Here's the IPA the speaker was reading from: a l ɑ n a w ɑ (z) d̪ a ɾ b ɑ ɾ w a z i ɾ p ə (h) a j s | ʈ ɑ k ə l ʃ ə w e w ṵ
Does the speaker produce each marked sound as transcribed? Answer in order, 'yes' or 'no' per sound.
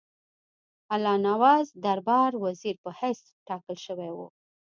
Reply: yes, yes

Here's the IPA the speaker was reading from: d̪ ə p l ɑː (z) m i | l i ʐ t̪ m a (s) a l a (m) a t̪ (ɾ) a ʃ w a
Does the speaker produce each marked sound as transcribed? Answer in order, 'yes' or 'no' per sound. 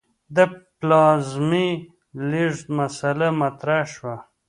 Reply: yes, yes, yes, yes

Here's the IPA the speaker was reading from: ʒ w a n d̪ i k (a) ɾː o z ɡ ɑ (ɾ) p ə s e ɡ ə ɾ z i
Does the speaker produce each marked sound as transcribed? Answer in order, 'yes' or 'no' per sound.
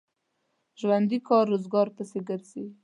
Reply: no, yes

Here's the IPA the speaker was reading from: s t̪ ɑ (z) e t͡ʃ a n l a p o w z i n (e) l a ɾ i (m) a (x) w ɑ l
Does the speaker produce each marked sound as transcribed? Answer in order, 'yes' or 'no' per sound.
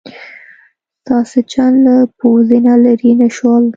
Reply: no, no, no, no

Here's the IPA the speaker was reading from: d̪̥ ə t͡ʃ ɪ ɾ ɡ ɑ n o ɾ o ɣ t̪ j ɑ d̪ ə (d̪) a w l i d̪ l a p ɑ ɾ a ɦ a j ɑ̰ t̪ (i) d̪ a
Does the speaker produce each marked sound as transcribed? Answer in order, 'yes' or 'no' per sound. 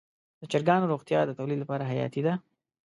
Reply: no, yes

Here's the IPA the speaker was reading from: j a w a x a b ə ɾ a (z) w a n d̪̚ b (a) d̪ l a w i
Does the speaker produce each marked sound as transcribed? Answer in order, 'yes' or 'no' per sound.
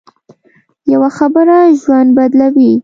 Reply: no, yes

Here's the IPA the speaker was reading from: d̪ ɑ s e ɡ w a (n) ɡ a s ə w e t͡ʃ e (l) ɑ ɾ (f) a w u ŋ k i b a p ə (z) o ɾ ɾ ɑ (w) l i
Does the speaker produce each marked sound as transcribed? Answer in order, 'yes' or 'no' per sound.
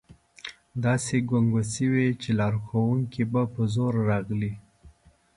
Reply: no, yes, no, yes, no

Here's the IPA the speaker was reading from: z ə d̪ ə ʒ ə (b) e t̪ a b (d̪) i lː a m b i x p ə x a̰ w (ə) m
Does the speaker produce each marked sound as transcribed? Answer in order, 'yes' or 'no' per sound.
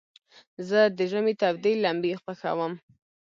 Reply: no, yes, yes

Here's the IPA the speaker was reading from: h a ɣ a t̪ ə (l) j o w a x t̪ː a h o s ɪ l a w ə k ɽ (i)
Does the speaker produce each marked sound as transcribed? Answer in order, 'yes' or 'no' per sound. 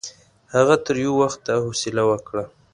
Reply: no, no

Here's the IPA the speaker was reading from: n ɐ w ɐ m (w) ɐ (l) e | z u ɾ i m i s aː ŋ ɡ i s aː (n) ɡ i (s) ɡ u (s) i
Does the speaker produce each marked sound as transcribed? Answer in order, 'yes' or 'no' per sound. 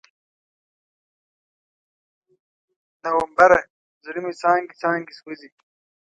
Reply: no, no, no, yes, no

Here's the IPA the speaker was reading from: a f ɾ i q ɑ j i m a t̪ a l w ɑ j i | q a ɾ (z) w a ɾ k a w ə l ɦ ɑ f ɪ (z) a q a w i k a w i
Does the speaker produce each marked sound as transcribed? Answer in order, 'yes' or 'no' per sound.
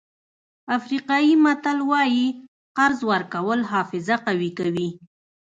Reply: yes, yes

